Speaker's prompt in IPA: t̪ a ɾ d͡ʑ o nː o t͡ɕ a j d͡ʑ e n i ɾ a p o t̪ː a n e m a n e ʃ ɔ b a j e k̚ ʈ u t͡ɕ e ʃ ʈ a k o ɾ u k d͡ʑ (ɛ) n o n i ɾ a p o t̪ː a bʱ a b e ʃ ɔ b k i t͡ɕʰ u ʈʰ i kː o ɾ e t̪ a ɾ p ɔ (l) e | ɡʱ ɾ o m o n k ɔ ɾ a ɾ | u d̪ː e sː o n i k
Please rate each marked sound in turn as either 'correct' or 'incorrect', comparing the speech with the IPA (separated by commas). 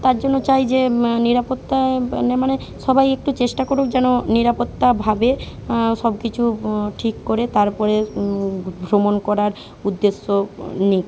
correct, incorrect